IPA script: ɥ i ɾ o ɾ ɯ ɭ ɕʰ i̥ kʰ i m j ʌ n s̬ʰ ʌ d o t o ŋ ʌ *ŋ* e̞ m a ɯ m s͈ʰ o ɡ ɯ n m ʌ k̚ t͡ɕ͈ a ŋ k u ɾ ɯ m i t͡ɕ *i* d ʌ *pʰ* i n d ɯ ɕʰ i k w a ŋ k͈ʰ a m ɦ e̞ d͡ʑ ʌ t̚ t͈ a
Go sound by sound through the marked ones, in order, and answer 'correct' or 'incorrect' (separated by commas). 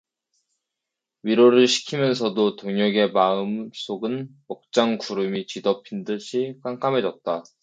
incorrect, correct, correct